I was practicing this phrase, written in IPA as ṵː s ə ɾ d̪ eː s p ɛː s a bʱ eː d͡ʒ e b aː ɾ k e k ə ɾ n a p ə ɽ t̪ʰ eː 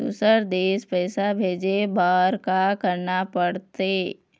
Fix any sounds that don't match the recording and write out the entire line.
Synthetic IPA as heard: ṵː s ə ɾ d̪ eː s p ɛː s a bʱ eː d͡ʒ e b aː ɾ k a k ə ɾ n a p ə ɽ t̪ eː